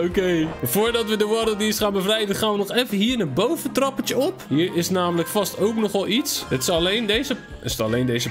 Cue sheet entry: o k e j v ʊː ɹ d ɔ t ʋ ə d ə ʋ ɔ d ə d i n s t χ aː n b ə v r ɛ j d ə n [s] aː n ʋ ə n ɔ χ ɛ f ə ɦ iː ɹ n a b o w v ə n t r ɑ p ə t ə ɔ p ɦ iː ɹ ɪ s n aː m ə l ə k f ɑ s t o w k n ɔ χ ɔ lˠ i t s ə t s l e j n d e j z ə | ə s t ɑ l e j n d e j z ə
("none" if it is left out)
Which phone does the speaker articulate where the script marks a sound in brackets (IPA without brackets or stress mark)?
χ